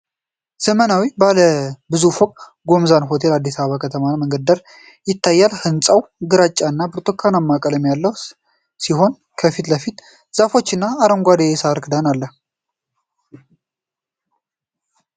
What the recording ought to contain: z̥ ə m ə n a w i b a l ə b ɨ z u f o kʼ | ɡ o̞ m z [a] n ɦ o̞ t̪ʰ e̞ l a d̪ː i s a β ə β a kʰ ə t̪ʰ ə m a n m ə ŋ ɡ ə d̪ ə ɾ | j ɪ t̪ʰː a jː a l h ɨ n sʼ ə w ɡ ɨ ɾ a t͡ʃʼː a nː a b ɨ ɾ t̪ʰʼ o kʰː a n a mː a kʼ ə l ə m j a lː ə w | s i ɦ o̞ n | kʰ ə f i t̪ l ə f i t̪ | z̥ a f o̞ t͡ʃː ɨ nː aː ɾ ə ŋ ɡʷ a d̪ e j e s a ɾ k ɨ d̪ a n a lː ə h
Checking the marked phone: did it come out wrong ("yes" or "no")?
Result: no